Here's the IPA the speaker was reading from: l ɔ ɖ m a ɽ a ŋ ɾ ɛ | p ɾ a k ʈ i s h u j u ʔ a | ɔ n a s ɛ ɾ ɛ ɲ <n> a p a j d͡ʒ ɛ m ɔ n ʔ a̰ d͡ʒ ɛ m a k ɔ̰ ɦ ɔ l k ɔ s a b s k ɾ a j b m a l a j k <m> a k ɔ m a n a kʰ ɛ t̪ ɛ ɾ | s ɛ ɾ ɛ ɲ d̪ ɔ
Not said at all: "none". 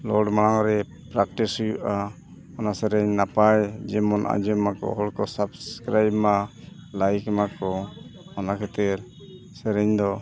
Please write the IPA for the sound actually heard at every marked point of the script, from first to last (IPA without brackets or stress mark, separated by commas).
n, m